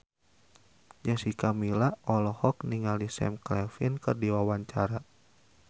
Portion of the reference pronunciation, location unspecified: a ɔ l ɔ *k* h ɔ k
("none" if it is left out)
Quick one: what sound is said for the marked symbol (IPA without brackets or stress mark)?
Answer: none